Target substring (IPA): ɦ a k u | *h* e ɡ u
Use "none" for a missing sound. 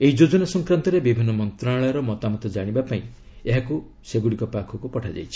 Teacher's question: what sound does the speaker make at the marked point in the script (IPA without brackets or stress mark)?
s